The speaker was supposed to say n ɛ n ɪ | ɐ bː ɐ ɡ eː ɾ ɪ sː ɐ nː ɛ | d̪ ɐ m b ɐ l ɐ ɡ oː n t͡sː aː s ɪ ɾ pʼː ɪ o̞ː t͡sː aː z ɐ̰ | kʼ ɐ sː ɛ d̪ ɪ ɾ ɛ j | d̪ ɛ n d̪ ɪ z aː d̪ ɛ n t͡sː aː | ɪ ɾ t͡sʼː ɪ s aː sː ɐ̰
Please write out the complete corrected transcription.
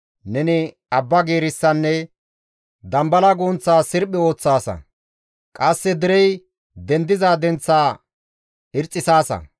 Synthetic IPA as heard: n ɛ n ɪ | ɐ bː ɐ ɡ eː ɾ ɪ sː ɐ nː ɛ | d̪ ɐ m b ɐ l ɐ ɡ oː n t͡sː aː s ɪ ɾ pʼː ɪ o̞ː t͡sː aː s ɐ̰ | kʼ ɐ sː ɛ d̪ ɪ ɾ ɛ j | d̪ ɛ n d̪ ɪ z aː d̪ ɛ n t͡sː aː | ɪ ɾ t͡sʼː ɪ s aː s ɐ̰